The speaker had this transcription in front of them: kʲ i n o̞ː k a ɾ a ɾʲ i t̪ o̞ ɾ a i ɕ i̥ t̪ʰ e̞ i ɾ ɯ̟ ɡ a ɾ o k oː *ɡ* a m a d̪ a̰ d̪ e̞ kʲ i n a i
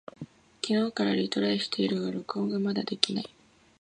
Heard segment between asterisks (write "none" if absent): ɡ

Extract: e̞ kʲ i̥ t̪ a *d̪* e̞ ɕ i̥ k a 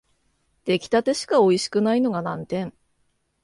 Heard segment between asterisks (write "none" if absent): t̪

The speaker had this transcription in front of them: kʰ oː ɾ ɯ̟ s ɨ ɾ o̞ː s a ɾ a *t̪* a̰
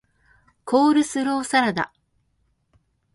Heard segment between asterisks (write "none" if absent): d̪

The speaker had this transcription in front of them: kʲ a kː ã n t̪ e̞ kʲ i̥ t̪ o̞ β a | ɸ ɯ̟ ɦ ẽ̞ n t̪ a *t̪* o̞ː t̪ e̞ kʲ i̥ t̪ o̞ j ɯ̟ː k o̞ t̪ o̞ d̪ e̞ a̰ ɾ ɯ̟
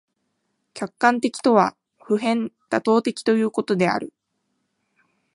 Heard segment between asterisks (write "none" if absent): t̪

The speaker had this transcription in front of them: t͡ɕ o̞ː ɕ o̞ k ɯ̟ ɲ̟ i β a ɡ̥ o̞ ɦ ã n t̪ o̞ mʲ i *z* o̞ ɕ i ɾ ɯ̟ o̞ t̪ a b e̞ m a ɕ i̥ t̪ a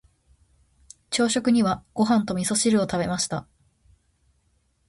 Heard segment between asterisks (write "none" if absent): s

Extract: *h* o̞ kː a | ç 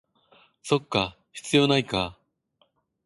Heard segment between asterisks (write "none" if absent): s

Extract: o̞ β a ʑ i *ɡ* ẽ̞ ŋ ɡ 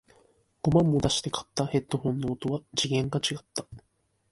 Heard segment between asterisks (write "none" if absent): ɡ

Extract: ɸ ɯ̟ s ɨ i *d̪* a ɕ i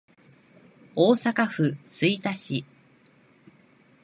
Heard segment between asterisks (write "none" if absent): t̪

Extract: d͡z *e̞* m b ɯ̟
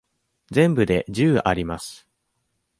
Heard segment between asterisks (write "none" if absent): ẽ̞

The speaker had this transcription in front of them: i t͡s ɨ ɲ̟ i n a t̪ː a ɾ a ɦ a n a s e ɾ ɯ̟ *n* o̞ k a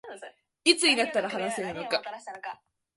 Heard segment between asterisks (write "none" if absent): n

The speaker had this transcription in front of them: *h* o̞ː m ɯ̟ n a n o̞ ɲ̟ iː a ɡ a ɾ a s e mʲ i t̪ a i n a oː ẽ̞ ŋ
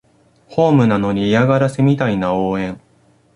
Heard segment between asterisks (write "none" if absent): h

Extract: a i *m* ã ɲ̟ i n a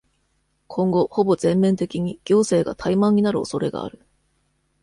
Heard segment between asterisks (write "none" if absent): m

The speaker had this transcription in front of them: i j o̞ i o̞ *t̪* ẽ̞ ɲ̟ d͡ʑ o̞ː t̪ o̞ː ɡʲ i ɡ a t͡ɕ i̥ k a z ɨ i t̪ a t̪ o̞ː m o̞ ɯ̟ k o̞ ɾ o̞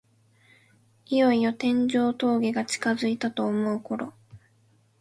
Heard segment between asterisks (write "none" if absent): t̪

